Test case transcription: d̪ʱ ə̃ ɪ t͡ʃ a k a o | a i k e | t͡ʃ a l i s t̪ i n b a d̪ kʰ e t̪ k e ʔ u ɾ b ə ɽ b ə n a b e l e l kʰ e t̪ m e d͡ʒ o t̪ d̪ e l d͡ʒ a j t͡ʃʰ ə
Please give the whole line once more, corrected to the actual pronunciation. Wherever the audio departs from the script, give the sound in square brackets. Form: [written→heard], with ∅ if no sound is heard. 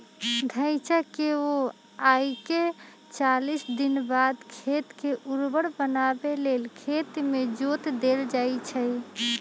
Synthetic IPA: d̪ʱ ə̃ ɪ t͡ʃ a k [a→e] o | a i k e | t͡ʃ a l i s [t̪→d̪] i n b a d̪ kʰ e t̪ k e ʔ u ɾ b ə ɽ b ə n a b e l e l kʰ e t̪ m e d͡ʒ o t̪ d̪ e l d͡ʒ a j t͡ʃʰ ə